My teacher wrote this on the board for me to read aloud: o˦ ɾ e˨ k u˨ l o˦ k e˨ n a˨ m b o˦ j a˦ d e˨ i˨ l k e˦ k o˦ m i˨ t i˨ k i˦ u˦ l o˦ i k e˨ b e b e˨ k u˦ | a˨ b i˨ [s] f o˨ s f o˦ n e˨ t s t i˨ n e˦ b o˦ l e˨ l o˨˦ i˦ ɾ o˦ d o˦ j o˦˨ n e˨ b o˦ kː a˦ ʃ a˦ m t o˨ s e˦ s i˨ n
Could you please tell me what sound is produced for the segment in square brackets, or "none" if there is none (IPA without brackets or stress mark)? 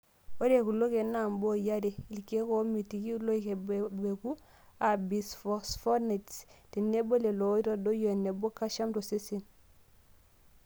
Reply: s